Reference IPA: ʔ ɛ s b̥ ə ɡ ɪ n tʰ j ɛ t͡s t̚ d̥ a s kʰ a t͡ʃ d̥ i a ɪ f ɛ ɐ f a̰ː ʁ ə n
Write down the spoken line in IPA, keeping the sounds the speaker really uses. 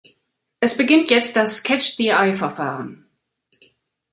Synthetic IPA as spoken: ʔ ɛ s b̥ ə ɡ ɪ n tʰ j ɛ t͡s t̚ d̥ a s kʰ ɛ t͡ʃ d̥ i a ɪ f ɛ ɐ f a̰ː ʁ ə n